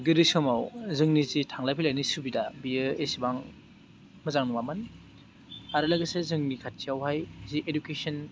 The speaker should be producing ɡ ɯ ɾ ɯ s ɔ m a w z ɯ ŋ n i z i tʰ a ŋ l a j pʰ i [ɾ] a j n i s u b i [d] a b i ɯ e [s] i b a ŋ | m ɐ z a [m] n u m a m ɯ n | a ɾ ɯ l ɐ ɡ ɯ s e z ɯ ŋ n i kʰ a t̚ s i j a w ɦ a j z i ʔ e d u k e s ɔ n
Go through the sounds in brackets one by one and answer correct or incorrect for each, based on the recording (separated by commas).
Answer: incorrect, correct, correct, incorrect